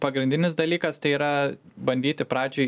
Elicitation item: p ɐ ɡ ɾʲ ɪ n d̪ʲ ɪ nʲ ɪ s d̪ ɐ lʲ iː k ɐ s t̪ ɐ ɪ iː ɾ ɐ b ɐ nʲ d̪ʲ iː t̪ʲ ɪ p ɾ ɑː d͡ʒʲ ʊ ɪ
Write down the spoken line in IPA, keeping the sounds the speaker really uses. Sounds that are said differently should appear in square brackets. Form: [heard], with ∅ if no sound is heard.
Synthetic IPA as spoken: p ɐ ɡ ɾʲ ɪ n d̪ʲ ɪ nʲ ɪ s d̪ ɐ lʲ iː k ɐ s t̪ ɐ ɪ iː ɾ ɐ b ɐ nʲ d̪ʲ iː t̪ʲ ɪ p ɾ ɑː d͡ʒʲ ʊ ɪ